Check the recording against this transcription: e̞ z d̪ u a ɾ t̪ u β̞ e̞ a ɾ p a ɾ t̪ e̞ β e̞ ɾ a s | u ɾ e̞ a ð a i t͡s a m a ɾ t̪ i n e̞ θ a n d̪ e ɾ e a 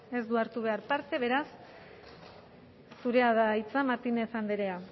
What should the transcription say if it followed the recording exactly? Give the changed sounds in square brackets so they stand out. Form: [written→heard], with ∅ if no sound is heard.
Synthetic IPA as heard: e̞ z d̪ u a ɾ t̪ u β̞ e̞ a ɾ p a ɾ t̪ e̞ β e̞ ɾ a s | u ɾ e̞ a ð a i t͡s a m a ɾ t̪ i n e̞ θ a n d̪ e ɾ e a